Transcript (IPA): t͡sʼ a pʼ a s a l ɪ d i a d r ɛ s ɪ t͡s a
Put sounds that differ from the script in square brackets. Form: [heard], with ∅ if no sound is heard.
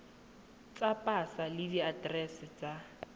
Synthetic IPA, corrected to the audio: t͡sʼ a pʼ a s a l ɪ d i a d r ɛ s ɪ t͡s a